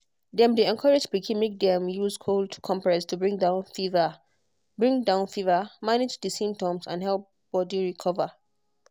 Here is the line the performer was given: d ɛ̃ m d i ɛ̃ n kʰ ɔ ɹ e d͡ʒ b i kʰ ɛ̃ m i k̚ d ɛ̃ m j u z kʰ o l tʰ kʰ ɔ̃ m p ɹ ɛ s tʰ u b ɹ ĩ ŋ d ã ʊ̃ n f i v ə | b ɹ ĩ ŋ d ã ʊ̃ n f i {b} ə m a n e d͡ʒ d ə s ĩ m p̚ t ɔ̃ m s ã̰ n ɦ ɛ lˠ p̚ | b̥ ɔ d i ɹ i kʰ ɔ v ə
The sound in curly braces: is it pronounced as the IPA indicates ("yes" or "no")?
no